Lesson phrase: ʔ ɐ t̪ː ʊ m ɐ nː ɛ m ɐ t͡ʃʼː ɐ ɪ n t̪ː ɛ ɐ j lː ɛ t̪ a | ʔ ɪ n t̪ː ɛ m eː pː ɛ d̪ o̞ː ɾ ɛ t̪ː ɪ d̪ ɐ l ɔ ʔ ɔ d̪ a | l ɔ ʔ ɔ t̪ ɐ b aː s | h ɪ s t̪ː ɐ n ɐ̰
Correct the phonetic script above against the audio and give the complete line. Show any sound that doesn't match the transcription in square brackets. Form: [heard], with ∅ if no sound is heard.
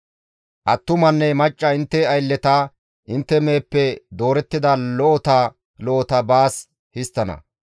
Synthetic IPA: ʔ ɐ t̪ː ʊ m ɐ nː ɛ m ɐ t͡ʃʼː ɐ ɪ n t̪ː ɛ ɐ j lː ɛ t̪ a | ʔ ɪ n t̪ː ɛ m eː pː ɛ d̪ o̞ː ɾ ɛ t̪ː ɪ d̪ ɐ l ɔ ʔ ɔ [t̪] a | l ɔ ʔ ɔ t̪ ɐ b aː s | h ɪ s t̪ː ɐ n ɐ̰

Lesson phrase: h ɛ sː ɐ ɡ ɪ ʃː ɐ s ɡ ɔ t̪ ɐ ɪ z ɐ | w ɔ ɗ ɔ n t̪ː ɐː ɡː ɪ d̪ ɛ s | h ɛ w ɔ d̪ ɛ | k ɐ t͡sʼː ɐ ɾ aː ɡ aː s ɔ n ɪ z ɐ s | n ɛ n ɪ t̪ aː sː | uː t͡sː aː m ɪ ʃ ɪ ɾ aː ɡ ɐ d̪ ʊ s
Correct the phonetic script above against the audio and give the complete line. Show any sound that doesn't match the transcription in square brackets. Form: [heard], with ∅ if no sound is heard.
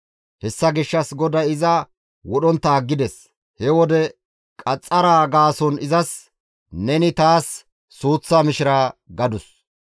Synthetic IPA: h ɛ sː ɐ ɡ ɪ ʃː ɐ s ɡ ɔ [d̪] ɐ ɪ z ɐ | w ɔ ɗ ɔ n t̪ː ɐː ɡː ɪ d̪ ɛ s | h ɛ w ɔ d̪ ɛ | [kʼ] ɐ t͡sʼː ɐ ɾ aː ɡ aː s ɔ n ɪ z ɐ s | n ɛ n ɪ t̪ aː sː | uː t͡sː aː m ɪ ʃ ɪ ɾ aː ɡ ɐ d̪ ʊ s

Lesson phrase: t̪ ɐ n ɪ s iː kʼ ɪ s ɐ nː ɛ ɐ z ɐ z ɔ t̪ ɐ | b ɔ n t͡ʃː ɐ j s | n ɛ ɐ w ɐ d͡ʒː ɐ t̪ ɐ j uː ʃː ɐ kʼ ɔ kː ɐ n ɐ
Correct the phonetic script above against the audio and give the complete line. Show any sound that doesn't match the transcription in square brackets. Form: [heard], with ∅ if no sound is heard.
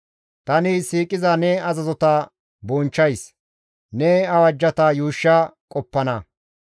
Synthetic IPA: t̪ ɐ n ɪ s iː kʼ ɪ [z] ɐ [n] ɛ ɐ z ɐ z ɔ t̪ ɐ | b ɔ n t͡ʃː ɐ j s | n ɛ ɐ w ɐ d͡ʒː ɐ t̪ ɐ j uː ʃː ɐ kʼ ɔ [pː] ɐ n ɐ

